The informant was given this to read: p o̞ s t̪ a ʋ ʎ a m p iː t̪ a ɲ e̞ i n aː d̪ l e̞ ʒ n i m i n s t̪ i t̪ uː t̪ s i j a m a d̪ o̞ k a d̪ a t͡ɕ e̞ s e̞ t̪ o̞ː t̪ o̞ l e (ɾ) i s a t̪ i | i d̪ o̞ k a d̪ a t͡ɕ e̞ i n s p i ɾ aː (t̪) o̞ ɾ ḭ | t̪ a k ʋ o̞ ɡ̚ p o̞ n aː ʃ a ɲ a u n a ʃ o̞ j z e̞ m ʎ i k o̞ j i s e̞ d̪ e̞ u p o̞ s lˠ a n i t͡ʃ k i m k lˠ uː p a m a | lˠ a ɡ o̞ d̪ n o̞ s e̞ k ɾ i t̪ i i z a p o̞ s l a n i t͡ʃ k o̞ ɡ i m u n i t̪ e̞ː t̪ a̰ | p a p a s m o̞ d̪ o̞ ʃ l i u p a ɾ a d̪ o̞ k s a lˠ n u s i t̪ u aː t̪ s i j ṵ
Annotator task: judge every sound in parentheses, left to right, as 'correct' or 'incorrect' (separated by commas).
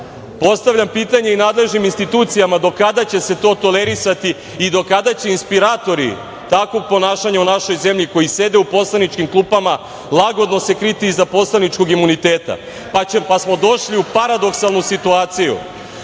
correct, correct